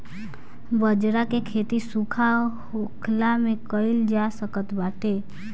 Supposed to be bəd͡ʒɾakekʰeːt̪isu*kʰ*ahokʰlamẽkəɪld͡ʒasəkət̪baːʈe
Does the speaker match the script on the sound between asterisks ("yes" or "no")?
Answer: yes